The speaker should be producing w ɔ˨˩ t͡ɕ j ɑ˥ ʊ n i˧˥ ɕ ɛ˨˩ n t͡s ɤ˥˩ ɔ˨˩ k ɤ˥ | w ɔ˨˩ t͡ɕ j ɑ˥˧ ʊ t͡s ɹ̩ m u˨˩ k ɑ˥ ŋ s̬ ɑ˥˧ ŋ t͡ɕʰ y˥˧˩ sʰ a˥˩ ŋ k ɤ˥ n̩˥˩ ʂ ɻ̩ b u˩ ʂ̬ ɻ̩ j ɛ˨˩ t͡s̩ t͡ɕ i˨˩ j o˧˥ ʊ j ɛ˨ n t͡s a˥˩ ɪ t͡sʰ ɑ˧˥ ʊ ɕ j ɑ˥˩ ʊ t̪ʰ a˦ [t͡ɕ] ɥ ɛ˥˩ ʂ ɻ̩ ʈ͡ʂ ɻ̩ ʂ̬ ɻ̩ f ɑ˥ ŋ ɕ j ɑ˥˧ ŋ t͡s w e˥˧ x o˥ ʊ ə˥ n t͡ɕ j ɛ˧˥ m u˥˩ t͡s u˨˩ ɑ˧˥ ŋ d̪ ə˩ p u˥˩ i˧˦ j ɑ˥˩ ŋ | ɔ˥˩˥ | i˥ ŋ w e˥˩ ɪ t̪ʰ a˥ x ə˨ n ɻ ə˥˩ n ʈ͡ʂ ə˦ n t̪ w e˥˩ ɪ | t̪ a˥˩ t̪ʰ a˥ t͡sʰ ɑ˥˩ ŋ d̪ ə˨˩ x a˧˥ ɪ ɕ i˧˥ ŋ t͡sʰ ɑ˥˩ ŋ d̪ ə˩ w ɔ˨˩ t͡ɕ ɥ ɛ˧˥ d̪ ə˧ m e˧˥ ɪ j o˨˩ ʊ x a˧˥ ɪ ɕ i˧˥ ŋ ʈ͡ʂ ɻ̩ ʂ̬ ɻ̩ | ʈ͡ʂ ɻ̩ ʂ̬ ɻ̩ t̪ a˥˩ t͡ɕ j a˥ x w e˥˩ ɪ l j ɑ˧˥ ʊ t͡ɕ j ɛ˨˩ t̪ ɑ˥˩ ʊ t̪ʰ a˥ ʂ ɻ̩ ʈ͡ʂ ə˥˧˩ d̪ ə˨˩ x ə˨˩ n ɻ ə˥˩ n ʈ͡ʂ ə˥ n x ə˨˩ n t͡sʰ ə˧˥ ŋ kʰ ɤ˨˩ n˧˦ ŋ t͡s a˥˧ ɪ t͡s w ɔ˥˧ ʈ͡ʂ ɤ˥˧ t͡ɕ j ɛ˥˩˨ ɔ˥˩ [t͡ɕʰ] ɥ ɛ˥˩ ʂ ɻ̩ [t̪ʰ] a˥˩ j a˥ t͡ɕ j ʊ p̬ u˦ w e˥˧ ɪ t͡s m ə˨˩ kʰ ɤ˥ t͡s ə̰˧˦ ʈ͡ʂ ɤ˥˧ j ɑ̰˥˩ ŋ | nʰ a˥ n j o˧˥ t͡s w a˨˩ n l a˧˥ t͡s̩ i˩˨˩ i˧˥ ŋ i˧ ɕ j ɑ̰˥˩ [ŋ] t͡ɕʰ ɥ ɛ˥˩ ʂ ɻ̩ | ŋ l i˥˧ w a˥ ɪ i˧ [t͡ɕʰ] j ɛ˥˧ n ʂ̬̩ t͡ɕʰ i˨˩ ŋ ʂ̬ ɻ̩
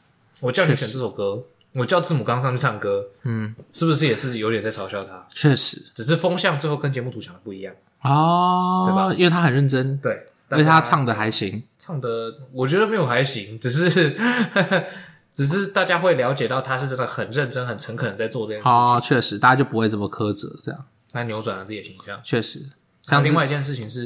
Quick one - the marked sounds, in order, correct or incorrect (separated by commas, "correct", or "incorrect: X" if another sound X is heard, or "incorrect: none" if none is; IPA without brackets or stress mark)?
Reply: incorrect: t͡ɕʰ, correct, incorrect: t̪, correct, incorrect: t͡ɕ